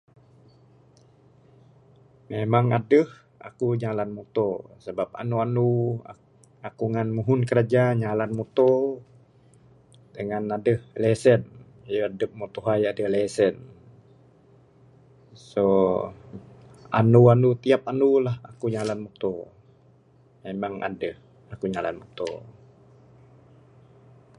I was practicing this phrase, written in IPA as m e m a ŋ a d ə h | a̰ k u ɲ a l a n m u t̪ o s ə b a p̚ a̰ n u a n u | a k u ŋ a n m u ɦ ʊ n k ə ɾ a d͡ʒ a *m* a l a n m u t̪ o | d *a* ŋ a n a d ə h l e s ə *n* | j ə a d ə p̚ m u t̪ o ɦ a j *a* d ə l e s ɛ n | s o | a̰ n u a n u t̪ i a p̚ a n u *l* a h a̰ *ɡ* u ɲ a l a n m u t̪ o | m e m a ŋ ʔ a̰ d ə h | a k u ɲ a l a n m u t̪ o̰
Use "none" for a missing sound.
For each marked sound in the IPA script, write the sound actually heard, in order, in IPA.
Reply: ɲ, ə, n, a, l, k

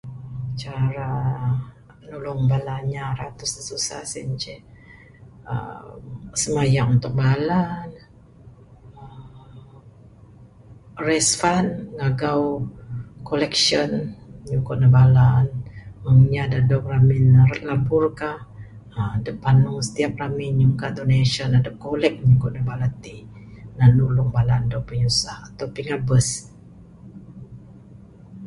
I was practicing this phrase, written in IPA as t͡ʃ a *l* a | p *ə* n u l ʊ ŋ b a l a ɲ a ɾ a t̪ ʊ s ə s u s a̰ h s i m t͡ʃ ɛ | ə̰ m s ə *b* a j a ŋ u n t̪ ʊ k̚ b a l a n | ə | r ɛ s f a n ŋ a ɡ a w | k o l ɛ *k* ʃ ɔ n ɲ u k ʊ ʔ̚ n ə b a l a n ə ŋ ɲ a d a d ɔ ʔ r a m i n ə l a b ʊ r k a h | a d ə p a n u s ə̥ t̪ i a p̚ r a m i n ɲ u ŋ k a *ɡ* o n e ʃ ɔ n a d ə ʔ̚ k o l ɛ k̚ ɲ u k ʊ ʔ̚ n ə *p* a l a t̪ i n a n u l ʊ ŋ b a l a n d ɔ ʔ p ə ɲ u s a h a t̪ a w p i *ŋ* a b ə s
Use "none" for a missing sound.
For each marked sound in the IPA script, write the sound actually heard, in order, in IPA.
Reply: ɾ, ə, m, k, d, b, ŋ

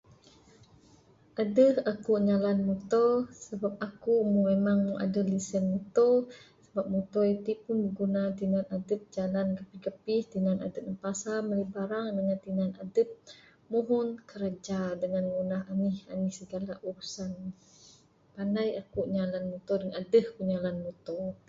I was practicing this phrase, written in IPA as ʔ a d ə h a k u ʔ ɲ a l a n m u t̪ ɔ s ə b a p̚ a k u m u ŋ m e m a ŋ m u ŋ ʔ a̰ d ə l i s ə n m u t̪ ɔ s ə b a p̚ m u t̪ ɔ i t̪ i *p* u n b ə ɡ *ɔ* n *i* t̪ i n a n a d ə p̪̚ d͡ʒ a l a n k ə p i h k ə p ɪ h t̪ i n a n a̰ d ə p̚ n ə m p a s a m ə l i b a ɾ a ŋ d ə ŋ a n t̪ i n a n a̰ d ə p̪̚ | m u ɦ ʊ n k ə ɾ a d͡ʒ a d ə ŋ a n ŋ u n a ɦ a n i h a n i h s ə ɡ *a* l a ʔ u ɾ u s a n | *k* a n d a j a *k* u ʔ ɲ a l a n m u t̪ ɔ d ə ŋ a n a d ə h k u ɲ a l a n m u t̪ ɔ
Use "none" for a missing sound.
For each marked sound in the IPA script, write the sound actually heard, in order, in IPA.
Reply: p, u, a, a, p, k

